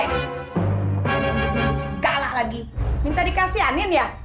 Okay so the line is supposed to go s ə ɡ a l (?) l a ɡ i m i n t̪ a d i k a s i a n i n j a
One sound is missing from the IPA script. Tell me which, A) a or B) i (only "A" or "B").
A